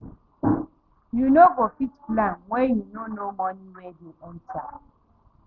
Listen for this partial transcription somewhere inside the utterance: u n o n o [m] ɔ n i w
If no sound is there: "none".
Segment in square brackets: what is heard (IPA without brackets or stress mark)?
m